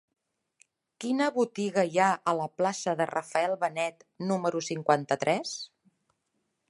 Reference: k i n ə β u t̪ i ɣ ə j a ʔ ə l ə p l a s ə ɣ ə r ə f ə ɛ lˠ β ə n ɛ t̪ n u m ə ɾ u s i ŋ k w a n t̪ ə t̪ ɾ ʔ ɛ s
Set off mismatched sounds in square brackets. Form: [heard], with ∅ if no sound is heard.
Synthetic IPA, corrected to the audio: k i n ə β u t̪ i ɣ ə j a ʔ ə l ə p l a s ə [ð] ə r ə f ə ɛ lˠ β ə n ɛ t̪ n u m ə ɾ u s i ŋ k w a n t̪ ə t̪ ɾ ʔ ɛ s